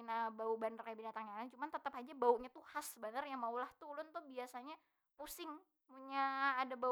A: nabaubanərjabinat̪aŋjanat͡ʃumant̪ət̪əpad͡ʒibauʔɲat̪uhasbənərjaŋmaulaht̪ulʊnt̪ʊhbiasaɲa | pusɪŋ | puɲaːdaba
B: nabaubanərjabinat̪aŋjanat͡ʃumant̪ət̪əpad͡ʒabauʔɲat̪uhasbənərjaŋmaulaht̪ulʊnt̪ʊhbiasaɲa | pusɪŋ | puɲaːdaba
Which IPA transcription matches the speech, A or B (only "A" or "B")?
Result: B